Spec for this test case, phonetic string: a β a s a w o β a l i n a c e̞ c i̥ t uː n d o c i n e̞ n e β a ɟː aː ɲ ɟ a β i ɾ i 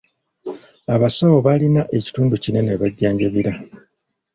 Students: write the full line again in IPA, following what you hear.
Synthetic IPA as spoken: a β a s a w o β a l i n a ʔ e̞ c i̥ t uː n d u c i n e̞ n e β a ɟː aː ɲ ɟ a β i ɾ a